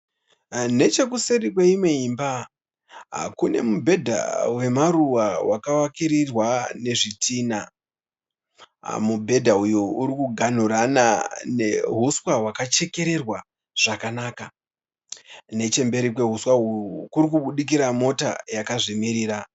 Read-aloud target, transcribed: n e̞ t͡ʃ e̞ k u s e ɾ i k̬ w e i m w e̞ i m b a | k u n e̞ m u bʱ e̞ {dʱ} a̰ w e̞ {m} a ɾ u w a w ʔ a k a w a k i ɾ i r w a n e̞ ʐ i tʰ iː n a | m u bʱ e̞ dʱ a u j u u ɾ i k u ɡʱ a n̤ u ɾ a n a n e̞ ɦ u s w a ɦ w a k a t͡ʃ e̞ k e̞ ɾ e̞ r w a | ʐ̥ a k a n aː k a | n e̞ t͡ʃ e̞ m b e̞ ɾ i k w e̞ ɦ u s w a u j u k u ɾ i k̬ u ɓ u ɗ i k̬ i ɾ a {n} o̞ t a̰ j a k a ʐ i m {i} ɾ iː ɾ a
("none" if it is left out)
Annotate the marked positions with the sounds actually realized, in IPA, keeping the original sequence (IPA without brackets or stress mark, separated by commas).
dʱ, m, m, i